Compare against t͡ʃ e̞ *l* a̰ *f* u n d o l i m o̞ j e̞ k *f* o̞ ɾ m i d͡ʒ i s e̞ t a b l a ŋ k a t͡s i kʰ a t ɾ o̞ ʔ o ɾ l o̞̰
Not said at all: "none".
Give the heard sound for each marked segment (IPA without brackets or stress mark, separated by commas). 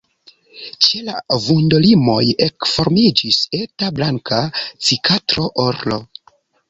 l, v, f